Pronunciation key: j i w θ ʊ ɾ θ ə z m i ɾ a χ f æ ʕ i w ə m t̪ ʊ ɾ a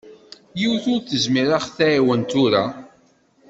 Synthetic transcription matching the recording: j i w θ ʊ ɾ θ ə z m i ɾ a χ θ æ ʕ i w ə n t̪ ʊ ɾ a